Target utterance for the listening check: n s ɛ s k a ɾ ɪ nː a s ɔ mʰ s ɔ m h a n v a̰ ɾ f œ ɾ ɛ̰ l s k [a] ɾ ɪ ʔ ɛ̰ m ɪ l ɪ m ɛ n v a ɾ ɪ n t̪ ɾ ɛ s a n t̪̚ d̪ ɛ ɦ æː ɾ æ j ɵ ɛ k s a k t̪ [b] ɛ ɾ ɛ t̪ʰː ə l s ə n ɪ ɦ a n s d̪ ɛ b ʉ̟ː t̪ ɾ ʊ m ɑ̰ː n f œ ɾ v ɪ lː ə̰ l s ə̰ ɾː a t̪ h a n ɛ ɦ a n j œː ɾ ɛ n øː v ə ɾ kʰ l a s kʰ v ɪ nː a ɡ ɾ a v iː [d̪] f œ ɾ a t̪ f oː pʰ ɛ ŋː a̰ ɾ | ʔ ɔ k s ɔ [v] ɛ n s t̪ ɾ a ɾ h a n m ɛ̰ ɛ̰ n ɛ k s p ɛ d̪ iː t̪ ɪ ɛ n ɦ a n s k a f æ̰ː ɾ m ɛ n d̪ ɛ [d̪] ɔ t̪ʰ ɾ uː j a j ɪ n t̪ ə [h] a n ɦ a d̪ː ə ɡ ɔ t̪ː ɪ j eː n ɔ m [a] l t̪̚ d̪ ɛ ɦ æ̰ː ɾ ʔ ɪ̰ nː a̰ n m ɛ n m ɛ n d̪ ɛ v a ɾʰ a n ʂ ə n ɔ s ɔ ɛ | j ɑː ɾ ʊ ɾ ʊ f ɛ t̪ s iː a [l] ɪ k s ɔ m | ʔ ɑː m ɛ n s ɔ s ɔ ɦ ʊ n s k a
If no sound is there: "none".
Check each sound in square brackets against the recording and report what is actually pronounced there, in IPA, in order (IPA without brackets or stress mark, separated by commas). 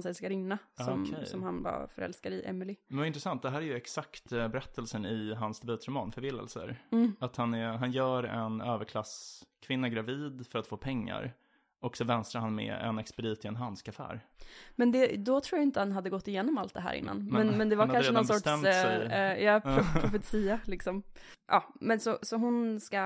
a, b, d̪, v, d̪, h, a, l